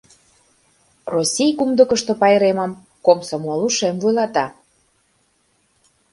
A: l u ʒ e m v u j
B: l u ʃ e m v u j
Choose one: B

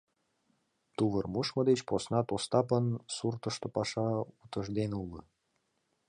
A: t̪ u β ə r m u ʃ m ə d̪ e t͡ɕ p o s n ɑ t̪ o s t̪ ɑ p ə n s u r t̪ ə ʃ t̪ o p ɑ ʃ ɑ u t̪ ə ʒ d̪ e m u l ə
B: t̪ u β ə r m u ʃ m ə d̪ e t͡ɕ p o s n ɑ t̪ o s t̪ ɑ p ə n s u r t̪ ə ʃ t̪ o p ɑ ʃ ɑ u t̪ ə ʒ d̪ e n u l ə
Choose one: B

